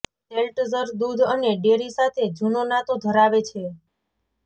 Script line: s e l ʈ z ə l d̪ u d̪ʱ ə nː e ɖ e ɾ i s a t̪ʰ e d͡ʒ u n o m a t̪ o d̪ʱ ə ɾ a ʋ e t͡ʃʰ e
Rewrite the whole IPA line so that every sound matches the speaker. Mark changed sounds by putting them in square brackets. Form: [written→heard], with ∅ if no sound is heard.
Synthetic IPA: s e l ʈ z ə [l→ɾ] d̪ u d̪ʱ ə [nː→n] e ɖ e ɾ i s a t̪ʰ e d͡ʒ u n o [m→n] a t̪ o d̪ʱ ə ɾ a ʋ e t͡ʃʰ e